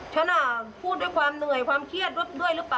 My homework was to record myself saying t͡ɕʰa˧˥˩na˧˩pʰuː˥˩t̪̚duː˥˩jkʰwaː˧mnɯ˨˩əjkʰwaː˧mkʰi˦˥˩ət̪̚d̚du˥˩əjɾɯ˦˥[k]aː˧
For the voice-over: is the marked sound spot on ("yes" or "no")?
no